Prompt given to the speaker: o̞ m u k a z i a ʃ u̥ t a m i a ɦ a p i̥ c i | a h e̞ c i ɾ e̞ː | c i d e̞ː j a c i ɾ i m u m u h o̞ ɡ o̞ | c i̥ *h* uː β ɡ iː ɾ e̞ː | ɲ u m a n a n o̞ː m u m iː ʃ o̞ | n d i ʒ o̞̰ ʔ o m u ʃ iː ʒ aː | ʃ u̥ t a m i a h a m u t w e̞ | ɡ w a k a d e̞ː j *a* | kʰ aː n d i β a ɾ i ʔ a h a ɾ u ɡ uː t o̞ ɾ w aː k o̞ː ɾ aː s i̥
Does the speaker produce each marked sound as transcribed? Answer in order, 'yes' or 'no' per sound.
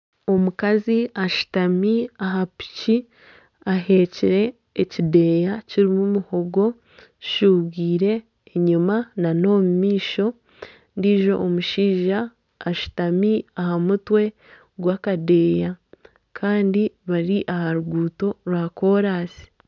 no, yes

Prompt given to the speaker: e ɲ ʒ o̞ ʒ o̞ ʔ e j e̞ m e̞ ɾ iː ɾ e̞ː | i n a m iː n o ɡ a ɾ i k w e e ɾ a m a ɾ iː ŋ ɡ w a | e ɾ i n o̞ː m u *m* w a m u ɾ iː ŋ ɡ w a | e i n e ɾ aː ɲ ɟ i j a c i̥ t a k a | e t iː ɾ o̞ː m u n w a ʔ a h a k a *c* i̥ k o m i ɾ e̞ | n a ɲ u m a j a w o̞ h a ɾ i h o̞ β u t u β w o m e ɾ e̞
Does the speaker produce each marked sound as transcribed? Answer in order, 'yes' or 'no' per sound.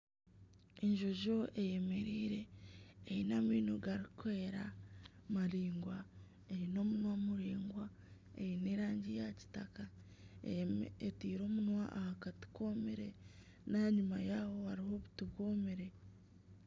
no, no

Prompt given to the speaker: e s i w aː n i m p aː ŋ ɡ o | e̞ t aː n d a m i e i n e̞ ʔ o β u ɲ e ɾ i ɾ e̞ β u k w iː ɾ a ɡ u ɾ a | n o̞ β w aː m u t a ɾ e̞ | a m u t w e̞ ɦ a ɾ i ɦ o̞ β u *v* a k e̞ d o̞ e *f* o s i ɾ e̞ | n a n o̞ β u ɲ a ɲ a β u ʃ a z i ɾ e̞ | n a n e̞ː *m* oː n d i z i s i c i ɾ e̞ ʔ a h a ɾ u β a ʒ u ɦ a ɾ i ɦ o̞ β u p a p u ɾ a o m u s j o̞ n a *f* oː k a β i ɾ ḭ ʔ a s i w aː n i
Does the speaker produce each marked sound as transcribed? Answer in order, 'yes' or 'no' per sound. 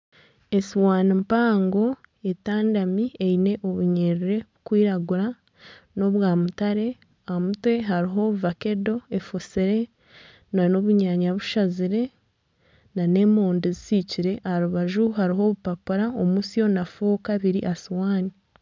yes, yes, yes, yes

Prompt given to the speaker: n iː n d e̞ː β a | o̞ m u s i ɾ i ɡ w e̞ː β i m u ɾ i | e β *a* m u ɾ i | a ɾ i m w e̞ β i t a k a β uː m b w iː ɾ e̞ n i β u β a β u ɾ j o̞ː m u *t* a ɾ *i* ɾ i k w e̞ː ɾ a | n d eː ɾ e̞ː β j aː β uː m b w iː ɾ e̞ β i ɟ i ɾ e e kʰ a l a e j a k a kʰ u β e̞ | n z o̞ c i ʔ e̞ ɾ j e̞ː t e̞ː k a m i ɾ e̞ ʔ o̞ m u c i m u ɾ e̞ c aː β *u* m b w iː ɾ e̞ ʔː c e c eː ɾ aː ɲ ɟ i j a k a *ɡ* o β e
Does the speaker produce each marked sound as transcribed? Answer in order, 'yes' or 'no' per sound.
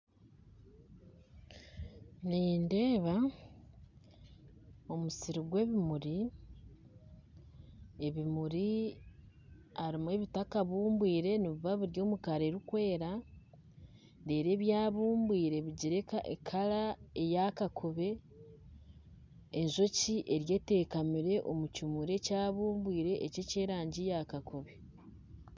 no, no, no, no, no

